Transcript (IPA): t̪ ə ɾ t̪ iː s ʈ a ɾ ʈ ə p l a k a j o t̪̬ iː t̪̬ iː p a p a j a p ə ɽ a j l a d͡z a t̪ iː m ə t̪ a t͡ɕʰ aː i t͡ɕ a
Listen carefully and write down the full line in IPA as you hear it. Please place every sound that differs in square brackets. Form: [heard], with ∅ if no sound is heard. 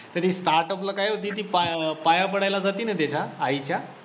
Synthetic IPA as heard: t̪ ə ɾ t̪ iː s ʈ a ɾ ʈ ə p l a k a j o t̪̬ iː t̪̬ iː p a p a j a p ə ɽ a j l a d͡z a t̪ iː [n] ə t̪ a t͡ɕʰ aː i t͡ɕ a